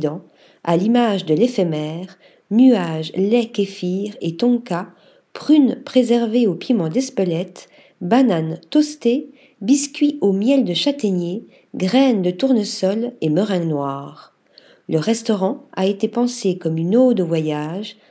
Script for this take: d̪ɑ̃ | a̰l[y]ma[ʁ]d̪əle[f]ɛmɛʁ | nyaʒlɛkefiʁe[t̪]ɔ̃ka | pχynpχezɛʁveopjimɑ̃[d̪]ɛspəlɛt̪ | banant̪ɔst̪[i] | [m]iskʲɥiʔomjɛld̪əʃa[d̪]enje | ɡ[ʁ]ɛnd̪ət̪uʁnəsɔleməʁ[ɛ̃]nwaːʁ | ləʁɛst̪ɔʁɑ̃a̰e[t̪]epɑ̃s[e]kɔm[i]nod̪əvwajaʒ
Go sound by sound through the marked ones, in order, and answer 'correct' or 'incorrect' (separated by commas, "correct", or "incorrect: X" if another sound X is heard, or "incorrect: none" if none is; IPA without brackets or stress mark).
incorrect: i, incorrect: ʒ, correct, correct, correct, incorrect: e, incorrect: b, incorrect: t̪, correct, correct, correct, correct, incorrect: y